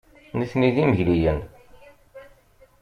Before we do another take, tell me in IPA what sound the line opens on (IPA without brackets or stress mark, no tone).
n